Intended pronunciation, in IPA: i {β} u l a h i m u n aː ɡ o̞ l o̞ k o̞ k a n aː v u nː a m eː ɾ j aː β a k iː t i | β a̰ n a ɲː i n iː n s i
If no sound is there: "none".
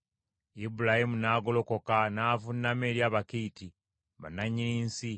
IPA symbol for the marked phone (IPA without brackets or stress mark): b